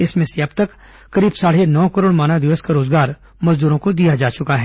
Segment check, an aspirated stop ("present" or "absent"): absent